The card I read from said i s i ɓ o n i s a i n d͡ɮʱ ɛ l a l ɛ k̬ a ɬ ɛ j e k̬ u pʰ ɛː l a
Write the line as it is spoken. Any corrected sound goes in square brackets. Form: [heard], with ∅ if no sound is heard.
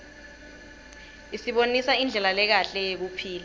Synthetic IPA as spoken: i s i ɓ o n i s a i n d͡ɮʱ ɛ l a l ɛ k̬ a ɬ ɛ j e k̬ u pʰ [iː] l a